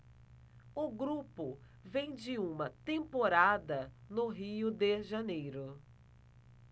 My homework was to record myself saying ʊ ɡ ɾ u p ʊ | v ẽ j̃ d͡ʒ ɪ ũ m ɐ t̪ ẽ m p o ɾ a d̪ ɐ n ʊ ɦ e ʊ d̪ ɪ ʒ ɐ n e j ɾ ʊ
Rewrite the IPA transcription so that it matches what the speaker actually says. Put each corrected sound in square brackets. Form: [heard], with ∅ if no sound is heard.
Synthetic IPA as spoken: ʊ ɡ ɾ u p ʊ | v ẽ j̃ d͡ʒ ɪ ũ m ɐ t̪ ẽ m p o ɾ a d̪ ɐ n ʊ ɦ [i] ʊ d̪ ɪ ʒ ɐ n e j ɾ ʊ